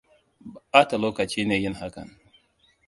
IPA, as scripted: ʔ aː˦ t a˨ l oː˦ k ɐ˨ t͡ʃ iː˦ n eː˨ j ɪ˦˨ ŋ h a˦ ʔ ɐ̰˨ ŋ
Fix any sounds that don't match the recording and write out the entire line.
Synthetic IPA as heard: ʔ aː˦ t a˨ l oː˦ k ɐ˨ t͡ʃ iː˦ n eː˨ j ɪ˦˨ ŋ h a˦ k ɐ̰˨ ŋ